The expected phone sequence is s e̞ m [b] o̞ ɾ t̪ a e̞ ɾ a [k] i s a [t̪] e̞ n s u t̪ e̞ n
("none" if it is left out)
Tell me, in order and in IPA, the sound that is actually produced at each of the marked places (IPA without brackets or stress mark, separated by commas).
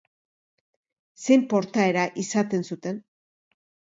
p, ʔ, t̪